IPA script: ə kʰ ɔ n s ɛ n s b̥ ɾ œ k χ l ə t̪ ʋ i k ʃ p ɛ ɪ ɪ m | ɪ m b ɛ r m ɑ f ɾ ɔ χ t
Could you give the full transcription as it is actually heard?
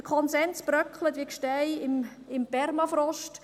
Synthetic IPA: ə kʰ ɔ n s ɛ n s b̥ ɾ œ k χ l ə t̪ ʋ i k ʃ t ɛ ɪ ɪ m | ɪ m p ɛ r m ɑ f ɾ ɔ ʃ t